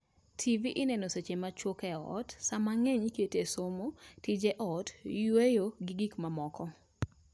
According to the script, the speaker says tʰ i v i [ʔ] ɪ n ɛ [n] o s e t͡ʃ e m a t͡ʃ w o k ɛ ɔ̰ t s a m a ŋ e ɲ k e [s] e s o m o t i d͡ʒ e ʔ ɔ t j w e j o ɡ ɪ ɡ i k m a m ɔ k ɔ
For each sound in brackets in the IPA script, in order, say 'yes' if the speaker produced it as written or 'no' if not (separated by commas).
yes, yes, no